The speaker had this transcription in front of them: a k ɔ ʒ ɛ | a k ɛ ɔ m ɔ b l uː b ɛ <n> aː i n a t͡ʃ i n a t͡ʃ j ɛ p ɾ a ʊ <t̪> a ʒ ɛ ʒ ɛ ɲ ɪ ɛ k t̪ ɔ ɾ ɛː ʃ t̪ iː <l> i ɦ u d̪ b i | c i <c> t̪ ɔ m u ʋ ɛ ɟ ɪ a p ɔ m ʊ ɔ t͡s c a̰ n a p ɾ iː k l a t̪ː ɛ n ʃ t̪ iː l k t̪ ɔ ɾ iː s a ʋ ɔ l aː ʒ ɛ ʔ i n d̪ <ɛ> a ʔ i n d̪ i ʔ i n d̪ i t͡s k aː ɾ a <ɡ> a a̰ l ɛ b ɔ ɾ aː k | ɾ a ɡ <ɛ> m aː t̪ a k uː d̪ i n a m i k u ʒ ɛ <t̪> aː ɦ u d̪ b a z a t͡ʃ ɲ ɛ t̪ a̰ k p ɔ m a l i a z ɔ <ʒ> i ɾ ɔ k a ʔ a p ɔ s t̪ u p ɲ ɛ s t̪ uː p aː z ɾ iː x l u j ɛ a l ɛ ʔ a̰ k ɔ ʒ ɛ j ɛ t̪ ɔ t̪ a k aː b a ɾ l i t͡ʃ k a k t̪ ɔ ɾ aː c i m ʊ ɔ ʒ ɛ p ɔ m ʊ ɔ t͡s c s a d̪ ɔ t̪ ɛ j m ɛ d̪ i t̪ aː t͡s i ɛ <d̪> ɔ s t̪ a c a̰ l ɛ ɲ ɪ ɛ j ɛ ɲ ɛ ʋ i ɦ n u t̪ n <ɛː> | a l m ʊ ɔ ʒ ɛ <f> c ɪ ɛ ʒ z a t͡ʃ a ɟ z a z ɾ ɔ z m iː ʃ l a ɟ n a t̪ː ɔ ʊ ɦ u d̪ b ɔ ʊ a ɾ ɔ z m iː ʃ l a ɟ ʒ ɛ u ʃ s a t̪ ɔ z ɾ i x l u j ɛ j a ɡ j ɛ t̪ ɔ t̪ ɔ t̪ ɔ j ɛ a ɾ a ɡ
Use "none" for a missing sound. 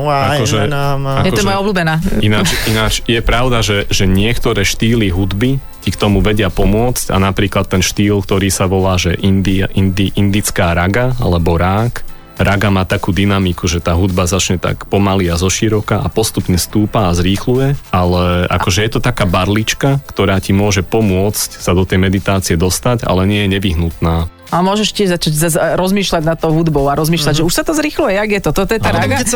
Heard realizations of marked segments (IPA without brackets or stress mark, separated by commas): n, d̪, l, k, i, ɡ, a, t̪, ʃ, d̪, aː, ʃ